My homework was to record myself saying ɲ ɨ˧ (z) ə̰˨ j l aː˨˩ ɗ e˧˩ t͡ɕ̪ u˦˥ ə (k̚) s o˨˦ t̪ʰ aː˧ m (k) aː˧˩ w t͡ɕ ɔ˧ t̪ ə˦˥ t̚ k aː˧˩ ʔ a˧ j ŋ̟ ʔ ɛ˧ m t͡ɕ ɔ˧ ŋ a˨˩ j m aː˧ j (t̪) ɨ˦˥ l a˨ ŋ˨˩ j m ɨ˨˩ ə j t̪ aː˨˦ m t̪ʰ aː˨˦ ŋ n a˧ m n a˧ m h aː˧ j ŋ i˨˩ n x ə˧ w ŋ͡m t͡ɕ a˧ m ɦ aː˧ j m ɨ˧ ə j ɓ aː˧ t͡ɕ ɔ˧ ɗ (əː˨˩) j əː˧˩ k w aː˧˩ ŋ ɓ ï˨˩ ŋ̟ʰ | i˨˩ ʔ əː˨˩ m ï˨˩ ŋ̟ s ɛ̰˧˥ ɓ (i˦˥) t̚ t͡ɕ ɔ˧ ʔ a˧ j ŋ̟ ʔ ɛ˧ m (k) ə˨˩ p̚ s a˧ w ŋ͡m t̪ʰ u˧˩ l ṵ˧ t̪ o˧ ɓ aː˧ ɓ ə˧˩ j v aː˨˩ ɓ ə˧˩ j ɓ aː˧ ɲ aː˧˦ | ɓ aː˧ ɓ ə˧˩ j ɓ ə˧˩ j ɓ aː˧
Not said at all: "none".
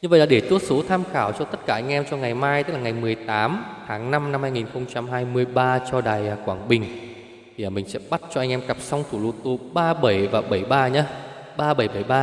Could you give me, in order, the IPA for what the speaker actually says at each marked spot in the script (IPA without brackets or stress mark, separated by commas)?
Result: v, t̚, x, t̪, aː˨˩, a˦˥, k